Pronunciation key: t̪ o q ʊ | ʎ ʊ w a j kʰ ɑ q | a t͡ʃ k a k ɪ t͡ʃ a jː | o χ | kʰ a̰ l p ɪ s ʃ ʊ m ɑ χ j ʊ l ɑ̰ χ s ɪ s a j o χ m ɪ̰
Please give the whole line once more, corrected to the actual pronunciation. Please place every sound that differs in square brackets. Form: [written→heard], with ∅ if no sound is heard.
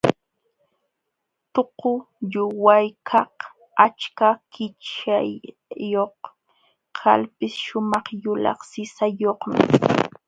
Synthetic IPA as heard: t̪ o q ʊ | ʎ ʊ w a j kʰ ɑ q | a t͡ʃ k a k ɪ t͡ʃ a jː | o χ | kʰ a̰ l p ɪ s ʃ ʊ m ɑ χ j ʊ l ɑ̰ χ s ɪ s a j o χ m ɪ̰